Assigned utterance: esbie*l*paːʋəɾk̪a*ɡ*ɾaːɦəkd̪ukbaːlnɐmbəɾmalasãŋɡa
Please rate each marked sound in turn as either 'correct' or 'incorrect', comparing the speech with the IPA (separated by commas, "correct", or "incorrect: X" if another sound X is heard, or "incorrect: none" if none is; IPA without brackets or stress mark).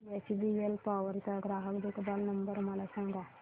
correct, correct